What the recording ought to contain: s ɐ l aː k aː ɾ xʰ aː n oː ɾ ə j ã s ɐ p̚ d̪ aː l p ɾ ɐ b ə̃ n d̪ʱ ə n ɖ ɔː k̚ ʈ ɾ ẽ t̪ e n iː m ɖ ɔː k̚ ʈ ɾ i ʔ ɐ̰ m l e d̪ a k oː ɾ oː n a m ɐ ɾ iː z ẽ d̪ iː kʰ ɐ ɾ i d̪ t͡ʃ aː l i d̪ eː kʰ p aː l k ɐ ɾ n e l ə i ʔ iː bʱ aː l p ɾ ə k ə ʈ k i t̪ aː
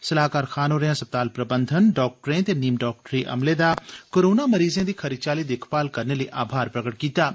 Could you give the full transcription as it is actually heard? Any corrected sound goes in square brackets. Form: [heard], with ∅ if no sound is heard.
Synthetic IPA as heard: s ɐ l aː k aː ɾ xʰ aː n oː ɾ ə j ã s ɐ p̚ [t̪] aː l p ɾ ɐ b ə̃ n d̪ʱ ə n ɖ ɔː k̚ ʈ ɾ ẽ t̪ e n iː m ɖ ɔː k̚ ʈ ɾ i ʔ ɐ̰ m l e d̪ a k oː ɾ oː n a m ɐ ɾ iː z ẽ d̪ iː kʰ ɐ ɾ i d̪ t͡ʃ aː l i d̪ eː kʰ p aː l k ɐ ɾ n e l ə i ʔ [aː] bʱ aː [ɾ] p ɾ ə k ə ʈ k [iː] t̪ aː